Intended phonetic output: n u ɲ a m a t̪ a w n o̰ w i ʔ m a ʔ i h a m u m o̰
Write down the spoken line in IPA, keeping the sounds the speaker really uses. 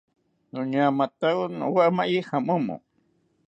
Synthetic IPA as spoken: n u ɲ a m a t̪ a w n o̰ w a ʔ m a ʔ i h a m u m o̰